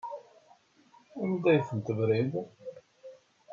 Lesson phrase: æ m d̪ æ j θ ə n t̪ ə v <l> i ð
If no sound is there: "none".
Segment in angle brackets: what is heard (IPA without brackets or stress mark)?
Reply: ɾ